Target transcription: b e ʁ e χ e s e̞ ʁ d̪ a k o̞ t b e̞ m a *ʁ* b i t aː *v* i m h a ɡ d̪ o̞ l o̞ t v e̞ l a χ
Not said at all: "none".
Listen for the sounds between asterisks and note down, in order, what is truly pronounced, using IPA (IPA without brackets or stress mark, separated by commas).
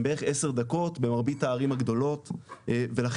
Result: ʁ, ʁ